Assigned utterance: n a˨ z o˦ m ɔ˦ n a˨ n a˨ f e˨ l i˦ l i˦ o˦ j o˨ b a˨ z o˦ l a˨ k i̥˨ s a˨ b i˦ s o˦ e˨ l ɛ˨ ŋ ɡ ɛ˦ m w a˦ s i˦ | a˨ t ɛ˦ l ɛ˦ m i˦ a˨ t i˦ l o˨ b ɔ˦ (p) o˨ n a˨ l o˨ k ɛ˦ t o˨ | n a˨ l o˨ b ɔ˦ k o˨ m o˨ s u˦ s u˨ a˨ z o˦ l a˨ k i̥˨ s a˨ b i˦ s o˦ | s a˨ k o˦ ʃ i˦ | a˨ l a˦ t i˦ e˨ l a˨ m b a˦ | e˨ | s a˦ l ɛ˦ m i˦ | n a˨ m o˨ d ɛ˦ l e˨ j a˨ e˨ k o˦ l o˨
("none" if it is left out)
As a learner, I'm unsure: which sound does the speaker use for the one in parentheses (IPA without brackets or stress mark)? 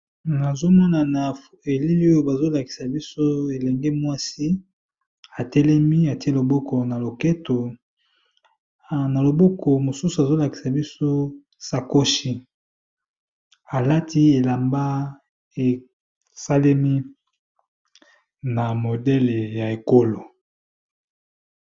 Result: k